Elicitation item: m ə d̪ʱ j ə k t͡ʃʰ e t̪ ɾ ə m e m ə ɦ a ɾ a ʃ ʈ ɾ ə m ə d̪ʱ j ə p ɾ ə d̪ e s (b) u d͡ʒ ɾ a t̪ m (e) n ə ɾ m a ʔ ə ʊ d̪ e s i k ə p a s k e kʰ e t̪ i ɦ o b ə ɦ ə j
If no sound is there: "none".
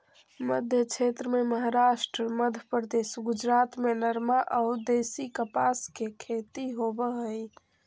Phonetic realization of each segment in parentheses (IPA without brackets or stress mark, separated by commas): ɡ, e